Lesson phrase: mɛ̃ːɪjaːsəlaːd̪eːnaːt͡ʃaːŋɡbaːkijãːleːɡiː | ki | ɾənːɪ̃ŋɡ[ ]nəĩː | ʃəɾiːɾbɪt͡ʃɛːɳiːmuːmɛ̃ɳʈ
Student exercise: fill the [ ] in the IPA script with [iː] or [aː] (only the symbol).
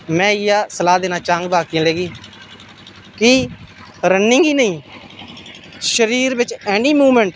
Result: iː